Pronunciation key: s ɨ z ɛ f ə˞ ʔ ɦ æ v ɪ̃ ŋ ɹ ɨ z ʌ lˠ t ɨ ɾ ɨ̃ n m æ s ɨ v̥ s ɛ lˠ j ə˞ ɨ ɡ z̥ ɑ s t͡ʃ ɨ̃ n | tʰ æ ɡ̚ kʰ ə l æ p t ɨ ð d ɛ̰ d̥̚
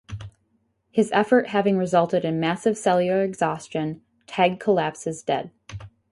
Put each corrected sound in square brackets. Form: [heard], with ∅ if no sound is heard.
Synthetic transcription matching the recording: [h] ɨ z ɛ f ə˞ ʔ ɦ æ v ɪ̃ ŋ ɹ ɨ z ʌ lˠ t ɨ ɾ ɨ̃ n m æ s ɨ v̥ s ɛ lˠ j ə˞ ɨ ɡ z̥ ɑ s t͡ʃ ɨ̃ n | tʰ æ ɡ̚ kʰ ə l æ p [s] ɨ [z] d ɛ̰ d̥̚